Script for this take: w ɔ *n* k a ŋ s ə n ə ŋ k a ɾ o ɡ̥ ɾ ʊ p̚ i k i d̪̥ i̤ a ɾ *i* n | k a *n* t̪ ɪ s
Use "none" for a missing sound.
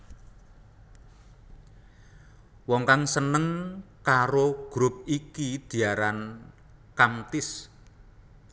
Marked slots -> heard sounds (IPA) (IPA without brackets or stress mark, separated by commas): ŋ, a, m